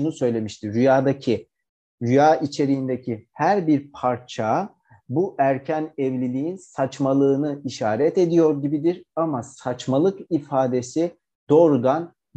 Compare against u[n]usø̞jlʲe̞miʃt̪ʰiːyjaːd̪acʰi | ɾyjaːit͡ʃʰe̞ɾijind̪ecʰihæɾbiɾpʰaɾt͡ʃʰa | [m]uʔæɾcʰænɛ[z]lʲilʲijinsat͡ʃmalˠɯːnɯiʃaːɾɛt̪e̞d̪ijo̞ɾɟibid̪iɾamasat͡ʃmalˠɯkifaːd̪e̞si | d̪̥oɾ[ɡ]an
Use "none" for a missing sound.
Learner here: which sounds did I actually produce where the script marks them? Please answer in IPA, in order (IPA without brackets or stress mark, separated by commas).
n, b, v, ɡ